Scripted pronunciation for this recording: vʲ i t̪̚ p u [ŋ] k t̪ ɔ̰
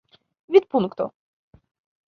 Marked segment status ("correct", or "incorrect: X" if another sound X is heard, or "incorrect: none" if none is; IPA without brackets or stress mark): incorrect: n